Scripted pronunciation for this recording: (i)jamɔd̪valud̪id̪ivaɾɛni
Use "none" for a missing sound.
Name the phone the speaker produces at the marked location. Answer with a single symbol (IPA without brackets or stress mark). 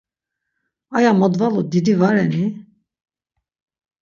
a